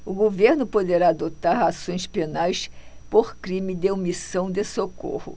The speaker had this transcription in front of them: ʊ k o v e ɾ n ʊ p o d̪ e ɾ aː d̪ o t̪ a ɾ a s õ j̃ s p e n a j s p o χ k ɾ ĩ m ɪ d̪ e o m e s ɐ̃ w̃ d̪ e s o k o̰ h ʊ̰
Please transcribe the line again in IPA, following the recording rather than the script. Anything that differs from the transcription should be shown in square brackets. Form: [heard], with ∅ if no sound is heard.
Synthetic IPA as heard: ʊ [ɡ] o v e ɾ n ʊ p o d̪ e ɾ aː d̪ o t̪ a ɾ a s õ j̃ s p e n a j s p o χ k ɾ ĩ m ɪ d̪ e o m [i] s ɐ̃ w̃ d̪ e s o k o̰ h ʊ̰